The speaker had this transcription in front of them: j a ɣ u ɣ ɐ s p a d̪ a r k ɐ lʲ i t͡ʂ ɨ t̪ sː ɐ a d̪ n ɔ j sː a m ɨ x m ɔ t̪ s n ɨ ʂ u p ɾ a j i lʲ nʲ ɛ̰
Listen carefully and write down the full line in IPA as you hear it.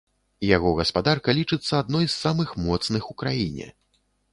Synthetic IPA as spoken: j a ɣ ɔ ɣ ɐ s p a d̪ a r k ɐ lʲ i t͡ʂ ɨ t̪ sː ɐ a d̪ n ɔ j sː a m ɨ x m ɔ t̪ s n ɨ x u k ɾ a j i nʲ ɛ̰